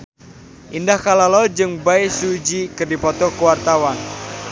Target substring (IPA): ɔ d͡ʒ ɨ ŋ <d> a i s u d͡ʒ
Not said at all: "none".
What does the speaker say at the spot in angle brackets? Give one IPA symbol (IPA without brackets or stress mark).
b